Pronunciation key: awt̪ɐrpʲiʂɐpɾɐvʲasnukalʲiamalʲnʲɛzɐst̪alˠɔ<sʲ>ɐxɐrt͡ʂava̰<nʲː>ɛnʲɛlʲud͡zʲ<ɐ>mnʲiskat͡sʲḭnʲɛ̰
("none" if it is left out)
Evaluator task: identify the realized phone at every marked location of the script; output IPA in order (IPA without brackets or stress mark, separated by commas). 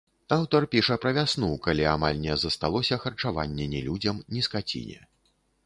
sʲ, nʲː, ɐ